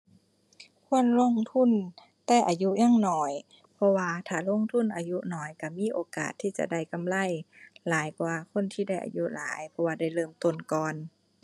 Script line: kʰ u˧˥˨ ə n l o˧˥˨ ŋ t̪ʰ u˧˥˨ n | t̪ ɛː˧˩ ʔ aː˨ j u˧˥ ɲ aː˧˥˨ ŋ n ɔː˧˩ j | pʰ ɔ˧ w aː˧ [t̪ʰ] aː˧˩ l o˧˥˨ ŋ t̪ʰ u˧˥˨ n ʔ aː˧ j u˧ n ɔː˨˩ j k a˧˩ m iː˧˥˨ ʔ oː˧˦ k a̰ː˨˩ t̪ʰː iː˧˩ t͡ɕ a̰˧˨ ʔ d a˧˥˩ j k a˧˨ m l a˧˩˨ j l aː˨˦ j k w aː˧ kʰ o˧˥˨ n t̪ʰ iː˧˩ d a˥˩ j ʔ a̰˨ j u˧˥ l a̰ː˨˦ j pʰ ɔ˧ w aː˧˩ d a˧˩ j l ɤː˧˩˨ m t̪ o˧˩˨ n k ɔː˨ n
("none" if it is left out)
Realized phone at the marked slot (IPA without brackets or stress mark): t̪ʰ